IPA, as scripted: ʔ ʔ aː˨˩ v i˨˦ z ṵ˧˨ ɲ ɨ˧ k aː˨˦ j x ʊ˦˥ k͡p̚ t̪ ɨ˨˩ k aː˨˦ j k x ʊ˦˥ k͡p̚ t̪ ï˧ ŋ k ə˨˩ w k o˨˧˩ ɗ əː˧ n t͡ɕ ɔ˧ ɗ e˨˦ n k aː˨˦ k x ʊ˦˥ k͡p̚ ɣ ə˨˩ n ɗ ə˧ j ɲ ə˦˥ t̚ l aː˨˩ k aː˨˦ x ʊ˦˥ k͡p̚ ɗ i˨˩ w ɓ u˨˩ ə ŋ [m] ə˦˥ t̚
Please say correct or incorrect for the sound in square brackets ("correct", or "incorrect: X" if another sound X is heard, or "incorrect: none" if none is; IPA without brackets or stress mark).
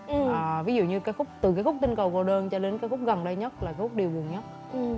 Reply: incorrect: ɲ